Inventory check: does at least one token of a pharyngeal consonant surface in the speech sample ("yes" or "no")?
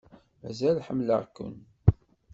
yes